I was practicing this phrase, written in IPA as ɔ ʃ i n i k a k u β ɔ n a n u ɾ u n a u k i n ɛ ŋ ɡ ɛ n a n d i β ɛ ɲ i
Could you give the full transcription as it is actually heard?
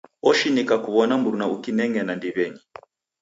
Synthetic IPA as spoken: ɔ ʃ i n i k a k u β ɔ n a m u ɾ u n a u k i n ɛ ŋ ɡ ɛ n a n d i β ɛ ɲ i